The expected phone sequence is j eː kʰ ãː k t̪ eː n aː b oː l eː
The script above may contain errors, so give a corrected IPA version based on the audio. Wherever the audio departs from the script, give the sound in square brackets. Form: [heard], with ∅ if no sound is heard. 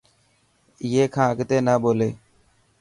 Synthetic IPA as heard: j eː kʰ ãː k t̪ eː n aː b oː l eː